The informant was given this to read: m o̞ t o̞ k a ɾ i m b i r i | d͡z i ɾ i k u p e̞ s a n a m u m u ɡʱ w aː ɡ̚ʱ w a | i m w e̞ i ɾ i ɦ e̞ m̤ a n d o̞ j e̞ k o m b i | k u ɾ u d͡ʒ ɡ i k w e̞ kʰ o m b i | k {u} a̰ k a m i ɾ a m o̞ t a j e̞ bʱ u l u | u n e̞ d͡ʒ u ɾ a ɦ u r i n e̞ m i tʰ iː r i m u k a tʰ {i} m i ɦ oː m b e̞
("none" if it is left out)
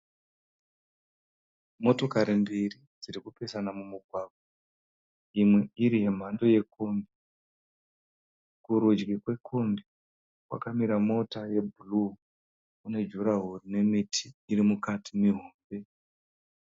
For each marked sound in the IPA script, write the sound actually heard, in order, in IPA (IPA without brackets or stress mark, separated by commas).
w, i